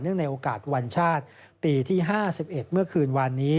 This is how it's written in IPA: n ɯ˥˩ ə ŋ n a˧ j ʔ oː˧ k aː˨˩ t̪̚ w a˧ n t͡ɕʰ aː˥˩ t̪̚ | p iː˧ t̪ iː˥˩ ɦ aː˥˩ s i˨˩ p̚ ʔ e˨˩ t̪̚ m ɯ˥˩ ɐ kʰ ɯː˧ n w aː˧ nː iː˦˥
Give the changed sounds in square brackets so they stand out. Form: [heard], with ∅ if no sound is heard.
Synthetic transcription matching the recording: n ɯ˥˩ ə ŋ n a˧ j ʔ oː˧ k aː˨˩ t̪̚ w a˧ n t͡ɕʰ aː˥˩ t̪̚ | p iː˧ [t̪ʰ] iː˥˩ ɦ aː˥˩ s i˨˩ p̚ ʔ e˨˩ t̪̚ m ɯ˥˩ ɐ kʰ ɯː˧ n w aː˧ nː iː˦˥